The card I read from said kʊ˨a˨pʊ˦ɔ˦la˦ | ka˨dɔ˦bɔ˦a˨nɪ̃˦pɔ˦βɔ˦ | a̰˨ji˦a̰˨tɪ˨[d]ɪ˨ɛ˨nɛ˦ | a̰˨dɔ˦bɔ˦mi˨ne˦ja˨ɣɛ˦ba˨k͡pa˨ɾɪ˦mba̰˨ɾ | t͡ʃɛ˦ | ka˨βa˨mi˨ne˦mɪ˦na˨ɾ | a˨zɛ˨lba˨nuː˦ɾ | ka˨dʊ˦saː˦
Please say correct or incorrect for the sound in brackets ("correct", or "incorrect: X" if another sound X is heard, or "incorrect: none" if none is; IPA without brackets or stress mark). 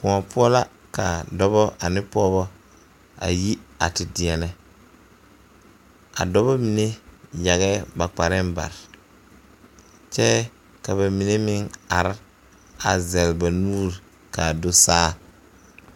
correct